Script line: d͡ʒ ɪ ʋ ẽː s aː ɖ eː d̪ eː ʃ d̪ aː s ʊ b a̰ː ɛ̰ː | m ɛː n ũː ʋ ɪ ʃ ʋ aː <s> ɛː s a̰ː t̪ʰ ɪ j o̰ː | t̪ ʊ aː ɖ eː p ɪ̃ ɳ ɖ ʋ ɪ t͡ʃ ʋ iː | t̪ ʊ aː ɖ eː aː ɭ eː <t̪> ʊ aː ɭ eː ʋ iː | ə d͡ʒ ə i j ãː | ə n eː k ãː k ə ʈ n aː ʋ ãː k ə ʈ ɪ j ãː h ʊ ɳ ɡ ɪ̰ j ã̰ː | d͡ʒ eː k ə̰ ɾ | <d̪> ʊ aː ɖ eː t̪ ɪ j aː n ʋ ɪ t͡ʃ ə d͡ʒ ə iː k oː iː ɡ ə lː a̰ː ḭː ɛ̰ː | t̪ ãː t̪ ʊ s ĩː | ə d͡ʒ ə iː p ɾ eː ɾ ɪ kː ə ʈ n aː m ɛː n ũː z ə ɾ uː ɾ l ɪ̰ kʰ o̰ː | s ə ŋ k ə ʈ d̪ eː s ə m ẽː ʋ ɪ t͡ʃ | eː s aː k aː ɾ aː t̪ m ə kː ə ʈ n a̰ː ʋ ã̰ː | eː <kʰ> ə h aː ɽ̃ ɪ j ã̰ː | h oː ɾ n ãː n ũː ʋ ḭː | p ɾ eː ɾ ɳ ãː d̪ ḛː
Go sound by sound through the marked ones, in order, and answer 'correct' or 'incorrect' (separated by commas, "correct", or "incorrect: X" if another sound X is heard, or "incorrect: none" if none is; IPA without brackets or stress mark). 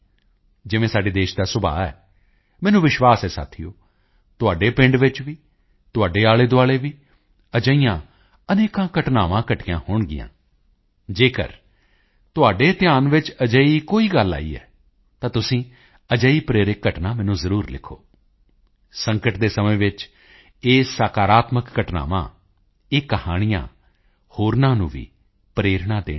correct, incorrect: d̪, incorrect: t̪, incorrect: k